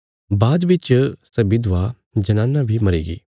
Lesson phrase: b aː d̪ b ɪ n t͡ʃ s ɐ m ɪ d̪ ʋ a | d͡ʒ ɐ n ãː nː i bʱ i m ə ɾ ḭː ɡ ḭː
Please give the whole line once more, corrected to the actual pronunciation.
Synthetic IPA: b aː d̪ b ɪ t͡ʃ s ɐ b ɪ d̪ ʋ a | d͡ʒ ɐ n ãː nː a bʱ i m ɐ ɾ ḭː ɡ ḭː